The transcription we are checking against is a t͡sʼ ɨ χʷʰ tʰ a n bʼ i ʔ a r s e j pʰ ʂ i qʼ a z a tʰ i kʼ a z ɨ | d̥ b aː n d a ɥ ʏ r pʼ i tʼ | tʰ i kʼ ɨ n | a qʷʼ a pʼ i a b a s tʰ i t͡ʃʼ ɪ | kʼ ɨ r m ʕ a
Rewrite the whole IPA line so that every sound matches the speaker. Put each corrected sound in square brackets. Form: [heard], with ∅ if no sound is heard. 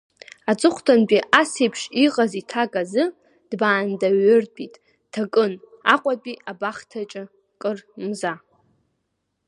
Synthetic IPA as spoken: a t͡sʼ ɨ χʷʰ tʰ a n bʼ i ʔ a [∅] s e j pʰ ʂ i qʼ a z [i] tʰ [a] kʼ a z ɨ | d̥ b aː n d a ɥ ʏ r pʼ i tʼ | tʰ [a] kʼ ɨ n | a qʷʼ a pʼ i a b a [χ] tʰ [a] t͡ʃʼ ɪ | kʼ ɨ r m [z] a